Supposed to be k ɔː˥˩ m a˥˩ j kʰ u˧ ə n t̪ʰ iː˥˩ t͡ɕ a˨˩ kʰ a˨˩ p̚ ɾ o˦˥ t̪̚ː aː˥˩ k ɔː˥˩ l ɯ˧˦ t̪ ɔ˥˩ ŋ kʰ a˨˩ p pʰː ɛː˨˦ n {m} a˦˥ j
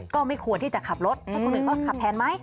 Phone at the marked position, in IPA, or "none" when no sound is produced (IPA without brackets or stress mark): m